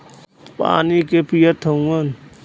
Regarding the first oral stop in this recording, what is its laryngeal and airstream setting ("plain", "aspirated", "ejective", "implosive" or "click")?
plain